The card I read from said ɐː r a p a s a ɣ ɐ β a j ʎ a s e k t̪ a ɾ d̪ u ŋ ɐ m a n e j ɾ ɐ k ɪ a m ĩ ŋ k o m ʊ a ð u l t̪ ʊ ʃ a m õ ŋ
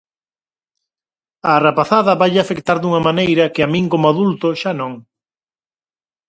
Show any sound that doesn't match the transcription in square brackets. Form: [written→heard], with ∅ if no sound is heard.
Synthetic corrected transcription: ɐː r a p a [s→θ] a [ɣ→ð] ɐ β a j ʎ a [s→f] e k t̪ a ɾ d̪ u ŋ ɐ m a n e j ɾ ɐ k ɪ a m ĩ ŋ k o m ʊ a ð u l t̪ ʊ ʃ a [m→n] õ ŋ